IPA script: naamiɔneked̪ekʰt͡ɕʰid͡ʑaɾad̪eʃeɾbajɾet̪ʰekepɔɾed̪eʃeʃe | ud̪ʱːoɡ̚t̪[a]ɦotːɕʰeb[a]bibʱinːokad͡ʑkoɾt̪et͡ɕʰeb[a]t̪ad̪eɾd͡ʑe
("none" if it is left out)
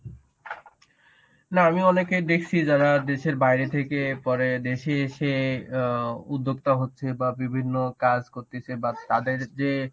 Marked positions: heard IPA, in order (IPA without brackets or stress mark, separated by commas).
a, a, a